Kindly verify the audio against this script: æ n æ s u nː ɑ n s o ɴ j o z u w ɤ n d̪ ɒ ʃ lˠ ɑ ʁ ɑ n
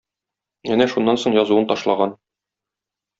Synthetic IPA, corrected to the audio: æ n æ ʃ u nː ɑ n s o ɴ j ɒ z u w ɤ n t̪ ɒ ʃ lˠ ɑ ʁ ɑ n